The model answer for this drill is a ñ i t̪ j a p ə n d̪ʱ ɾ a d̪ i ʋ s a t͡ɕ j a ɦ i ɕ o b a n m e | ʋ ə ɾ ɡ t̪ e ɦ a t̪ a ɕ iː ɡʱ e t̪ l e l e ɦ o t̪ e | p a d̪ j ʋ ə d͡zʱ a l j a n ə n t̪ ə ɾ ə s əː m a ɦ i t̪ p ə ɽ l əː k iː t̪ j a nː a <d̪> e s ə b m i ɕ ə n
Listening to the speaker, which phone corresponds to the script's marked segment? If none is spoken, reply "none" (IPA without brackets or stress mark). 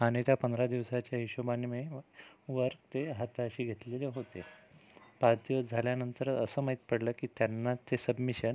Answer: t̪